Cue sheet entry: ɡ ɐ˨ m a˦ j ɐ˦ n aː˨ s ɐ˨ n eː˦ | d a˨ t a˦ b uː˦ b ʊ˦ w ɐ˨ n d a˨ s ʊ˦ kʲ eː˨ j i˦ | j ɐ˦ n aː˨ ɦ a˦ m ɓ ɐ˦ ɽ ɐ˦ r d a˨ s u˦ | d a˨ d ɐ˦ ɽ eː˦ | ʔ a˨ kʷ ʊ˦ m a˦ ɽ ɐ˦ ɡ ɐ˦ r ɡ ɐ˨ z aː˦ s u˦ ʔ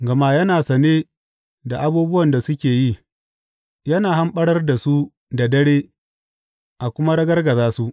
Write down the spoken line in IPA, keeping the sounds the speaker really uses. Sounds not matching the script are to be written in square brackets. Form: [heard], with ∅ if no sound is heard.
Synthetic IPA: ɡ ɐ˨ m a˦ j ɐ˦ n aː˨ s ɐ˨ n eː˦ | d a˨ [ʔ] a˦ b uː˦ b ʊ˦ w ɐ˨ n d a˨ s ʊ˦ kʲ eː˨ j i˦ | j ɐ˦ n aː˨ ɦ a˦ m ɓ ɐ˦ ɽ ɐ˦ r d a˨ s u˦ | d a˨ d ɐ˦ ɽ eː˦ | ʔ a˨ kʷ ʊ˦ m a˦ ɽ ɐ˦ ɡ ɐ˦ r ɡ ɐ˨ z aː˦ s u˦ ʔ

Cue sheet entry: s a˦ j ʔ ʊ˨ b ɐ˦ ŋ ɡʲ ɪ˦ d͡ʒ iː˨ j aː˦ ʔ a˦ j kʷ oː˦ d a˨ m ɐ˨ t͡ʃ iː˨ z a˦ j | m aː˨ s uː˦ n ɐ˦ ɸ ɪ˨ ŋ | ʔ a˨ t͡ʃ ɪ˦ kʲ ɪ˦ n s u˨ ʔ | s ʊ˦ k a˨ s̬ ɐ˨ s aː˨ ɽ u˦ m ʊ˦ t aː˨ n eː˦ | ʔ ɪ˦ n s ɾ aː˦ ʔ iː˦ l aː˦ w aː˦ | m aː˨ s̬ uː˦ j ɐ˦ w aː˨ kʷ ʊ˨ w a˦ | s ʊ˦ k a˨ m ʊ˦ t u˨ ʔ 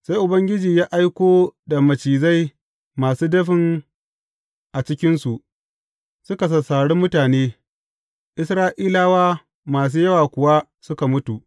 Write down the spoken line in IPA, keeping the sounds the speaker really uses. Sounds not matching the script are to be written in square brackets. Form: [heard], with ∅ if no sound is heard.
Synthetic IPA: s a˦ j ʔ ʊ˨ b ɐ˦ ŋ ɡʲ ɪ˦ d͡ʒ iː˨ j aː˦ ʔ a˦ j kʷ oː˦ d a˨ m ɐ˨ t͡ʃ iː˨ z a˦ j | m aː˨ s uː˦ [d] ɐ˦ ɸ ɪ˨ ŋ | ʔ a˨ t͡ʃ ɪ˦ kʲ ɪ˦ n s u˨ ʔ | s ʊ˦ k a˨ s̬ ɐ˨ s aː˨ ɽ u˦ m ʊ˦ t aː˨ n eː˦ | ʔ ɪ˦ [∅] s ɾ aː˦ ʔ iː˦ l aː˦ w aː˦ | m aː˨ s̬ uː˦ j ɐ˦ w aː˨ kʷ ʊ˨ w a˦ | s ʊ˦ k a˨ m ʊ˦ t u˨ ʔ

